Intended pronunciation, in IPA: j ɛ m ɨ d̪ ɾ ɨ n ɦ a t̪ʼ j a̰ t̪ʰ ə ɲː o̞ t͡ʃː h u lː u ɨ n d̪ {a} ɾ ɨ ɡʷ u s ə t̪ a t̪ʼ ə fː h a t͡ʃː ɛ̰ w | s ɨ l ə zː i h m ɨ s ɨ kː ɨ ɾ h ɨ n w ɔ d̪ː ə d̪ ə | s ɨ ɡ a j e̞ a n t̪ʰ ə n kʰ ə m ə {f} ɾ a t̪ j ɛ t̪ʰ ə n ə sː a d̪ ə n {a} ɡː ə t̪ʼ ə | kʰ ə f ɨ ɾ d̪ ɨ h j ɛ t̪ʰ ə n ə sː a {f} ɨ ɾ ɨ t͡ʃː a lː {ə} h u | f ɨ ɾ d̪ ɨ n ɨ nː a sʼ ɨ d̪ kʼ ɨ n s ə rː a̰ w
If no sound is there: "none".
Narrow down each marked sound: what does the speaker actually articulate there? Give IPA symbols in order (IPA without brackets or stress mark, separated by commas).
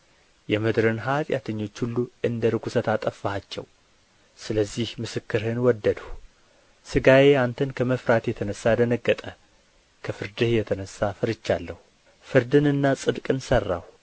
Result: ə, f, ə, f, ə